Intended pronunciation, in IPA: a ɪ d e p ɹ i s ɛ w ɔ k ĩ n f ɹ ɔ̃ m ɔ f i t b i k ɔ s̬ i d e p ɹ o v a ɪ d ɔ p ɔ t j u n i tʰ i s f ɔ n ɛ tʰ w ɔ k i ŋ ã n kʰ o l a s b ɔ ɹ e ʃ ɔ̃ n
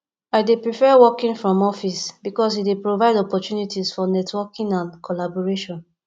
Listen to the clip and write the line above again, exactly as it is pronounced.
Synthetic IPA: a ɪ d e p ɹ i f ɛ w ɔ k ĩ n f ɹ ɔ̃ m ɔ f i s b i k ɔ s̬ i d e p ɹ o v a ɪ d ɔ p ɔ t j u n i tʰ i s f ɔ n ɛ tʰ w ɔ k ĩ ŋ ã n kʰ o l a b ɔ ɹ e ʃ ɔ̃ n